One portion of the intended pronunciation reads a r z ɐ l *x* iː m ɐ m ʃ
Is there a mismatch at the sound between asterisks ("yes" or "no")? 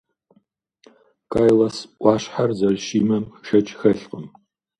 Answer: yes